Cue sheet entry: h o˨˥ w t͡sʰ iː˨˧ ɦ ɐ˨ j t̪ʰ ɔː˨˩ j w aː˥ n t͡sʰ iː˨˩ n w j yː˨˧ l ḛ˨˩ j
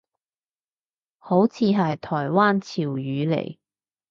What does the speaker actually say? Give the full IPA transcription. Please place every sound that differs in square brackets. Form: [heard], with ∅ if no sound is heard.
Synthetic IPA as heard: h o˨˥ w t͡sʰ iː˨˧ ɦ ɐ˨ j t̪ʰ ɔː˨˩ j w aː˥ n t͡sʰ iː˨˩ [∅] w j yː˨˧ l ḛ˨˩ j